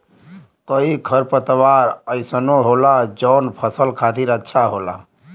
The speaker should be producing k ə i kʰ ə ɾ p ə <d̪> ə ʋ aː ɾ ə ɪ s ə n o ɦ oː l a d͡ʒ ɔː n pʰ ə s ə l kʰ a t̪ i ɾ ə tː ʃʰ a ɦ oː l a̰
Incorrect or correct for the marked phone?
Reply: incorrect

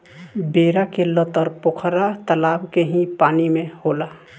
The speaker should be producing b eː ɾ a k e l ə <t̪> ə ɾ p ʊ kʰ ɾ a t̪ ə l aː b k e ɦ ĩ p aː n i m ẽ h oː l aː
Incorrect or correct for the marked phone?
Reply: correct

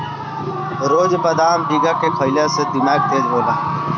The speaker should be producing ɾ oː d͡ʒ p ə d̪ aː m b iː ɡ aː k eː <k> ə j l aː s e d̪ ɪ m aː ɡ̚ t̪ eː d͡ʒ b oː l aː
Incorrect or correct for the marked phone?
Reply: incorrect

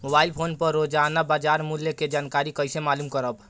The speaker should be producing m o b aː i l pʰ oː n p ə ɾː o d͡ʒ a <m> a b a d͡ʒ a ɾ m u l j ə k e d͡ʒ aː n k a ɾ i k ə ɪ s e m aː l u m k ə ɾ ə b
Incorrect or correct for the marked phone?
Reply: incorrect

